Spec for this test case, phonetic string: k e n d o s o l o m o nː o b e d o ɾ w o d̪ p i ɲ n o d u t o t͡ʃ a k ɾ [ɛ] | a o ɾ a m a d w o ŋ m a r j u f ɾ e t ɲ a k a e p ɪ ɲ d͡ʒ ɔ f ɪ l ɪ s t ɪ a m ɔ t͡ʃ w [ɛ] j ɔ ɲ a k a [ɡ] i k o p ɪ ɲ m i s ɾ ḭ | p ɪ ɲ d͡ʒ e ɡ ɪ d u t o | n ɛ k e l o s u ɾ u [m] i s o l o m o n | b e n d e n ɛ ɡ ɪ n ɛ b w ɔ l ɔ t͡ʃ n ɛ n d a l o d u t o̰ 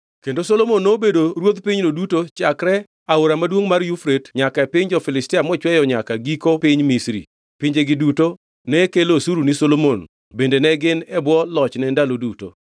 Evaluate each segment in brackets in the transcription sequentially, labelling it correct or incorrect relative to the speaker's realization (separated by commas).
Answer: correct, correct, correct, incorrect